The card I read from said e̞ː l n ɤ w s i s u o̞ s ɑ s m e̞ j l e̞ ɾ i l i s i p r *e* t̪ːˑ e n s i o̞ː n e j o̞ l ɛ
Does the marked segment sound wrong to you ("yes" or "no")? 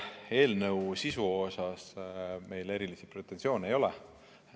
no